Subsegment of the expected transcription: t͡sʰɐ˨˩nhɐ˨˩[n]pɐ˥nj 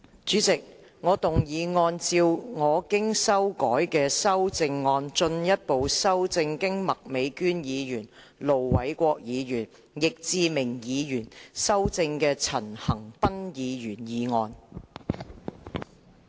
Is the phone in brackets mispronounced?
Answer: yes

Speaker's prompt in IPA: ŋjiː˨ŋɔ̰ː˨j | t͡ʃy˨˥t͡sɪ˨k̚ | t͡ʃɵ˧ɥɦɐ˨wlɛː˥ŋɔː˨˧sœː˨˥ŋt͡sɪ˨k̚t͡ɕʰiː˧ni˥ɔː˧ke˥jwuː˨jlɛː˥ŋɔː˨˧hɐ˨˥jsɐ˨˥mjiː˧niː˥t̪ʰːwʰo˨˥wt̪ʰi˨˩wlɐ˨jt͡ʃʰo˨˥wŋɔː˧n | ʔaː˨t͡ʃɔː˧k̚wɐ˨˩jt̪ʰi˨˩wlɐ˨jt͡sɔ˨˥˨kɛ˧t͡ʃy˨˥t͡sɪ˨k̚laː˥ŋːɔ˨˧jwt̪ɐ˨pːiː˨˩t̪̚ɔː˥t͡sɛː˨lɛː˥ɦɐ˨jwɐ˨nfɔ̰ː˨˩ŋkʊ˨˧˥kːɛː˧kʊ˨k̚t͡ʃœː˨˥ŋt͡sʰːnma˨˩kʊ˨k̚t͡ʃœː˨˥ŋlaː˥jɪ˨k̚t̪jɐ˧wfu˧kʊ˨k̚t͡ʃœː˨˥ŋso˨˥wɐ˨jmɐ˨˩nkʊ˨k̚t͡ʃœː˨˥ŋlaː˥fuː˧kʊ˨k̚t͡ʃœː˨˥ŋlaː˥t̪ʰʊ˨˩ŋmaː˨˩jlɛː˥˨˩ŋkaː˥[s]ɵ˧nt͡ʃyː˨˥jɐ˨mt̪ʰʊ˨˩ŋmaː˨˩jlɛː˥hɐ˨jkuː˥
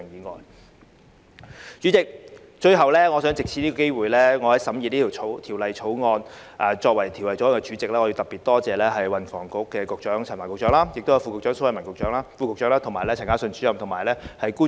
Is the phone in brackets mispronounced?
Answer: no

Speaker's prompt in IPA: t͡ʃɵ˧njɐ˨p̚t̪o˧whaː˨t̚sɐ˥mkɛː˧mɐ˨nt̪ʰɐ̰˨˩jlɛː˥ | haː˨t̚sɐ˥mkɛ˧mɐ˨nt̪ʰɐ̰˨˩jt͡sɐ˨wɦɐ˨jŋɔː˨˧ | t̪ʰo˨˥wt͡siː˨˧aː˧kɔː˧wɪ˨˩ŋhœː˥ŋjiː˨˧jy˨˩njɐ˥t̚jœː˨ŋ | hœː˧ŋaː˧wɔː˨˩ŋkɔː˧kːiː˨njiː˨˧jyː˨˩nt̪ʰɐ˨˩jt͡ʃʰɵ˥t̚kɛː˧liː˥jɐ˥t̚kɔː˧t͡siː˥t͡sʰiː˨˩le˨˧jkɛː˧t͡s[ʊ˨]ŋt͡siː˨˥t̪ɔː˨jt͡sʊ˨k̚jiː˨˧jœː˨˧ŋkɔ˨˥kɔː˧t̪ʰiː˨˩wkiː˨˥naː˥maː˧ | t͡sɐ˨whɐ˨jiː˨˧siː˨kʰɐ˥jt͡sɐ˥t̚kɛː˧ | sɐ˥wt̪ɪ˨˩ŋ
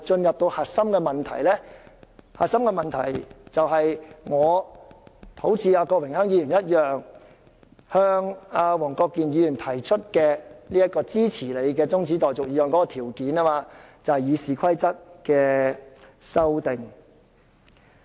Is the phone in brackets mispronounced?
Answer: yes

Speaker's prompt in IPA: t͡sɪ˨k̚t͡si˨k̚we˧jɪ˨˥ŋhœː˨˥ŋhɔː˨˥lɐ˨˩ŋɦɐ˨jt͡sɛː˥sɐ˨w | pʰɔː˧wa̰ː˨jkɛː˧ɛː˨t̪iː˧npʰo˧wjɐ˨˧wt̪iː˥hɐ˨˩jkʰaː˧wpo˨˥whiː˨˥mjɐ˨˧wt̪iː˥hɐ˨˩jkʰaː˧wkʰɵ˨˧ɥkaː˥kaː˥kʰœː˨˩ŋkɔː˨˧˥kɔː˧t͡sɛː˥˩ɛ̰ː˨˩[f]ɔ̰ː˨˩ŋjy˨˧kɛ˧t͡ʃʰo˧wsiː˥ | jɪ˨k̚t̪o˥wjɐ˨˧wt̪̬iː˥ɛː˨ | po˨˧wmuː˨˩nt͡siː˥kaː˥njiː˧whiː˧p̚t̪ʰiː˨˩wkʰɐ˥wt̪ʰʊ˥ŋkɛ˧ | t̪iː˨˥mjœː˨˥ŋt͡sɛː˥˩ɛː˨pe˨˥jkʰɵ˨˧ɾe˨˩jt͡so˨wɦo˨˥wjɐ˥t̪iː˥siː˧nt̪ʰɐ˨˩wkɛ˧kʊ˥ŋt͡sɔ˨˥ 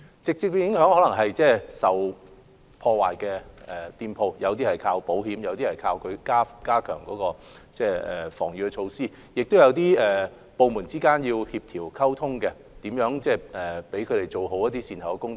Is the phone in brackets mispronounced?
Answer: no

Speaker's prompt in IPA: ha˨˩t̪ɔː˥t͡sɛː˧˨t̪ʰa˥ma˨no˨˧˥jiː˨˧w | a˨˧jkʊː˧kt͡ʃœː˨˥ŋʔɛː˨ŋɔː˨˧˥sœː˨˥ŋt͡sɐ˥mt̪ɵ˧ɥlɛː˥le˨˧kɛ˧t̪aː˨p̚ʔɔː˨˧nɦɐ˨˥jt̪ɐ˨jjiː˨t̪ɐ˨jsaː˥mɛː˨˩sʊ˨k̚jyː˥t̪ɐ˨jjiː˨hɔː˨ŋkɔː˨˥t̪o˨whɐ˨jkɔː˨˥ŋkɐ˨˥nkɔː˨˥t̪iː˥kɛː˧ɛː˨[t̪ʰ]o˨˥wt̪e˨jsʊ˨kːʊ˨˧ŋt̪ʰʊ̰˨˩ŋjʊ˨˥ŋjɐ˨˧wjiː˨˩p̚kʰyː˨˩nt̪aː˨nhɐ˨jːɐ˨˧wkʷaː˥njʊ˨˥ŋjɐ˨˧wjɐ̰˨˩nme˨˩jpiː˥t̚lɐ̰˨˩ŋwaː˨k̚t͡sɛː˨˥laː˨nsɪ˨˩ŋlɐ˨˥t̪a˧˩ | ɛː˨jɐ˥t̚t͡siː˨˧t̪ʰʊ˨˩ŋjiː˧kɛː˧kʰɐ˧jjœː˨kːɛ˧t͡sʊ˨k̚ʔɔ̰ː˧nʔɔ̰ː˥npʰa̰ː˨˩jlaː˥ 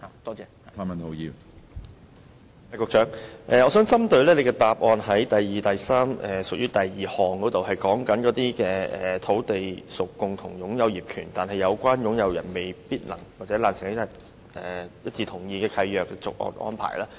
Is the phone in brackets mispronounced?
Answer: no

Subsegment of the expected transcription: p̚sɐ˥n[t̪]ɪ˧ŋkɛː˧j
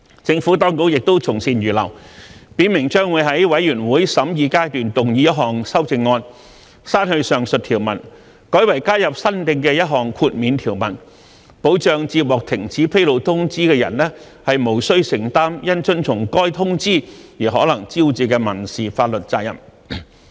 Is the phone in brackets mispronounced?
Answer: no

